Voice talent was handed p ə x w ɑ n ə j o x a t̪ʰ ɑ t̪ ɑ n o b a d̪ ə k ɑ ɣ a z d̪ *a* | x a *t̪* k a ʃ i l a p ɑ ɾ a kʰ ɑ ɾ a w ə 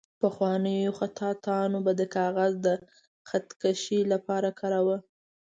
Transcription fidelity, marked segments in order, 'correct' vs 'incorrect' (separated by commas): incorrect, correct